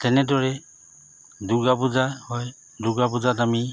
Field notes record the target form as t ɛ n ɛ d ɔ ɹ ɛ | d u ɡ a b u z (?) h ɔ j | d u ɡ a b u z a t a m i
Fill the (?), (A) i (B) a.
B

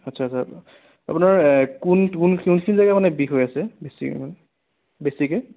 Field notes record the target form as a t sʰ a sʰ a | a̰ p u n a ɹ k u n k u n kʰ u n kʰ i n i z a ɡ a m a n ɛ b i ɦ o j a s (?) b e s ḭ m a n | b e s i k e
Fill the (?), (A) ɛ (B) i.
A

